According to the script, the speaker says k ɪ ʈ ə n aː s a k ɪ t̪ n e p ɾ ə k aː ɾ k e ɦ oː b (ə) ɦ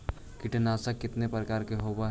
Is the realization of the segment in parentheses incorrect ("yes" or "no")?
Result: yes